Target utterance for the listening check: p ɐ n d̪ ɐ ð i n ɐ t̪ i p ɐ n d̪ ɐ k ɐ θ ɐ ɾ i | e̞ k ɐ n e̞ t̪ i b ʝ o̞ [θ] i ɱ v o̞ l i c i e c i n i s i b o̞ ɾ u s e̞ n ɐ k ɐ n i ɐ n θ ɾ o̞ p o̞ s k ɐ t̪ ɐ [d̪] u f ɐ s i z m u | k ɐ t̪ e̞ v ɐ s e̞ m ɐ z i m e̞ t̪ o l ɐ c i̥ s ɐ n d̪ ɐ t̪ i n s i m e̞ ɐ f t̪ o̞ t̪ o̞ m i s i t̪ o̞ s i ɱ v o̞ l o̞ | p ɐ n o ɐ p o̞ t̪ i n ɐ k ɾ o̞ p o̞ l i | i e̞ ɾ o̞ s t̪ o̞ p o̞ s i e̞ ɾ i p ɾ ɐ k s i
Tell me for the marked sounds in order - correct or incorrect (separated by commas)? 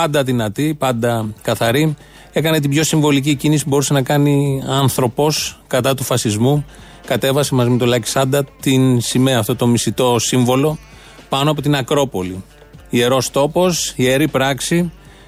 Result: incorrect, incorrect